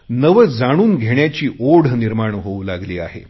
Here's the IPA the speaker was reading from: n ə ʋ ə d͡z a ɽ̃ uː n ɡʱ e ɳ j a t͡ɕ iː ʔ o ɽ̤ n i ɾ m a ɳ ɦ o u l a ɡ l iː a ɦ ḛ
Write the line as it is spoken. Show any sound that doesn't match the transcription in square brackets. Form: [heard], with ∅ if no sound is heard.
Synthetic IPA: n ə ʋ ə d͡z a ɽ̃ uː n ɡʱ e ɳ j a t͡ɕ iː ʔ o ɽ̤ n i ɾ m a ɳ ɦ o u l a ɡ l iː a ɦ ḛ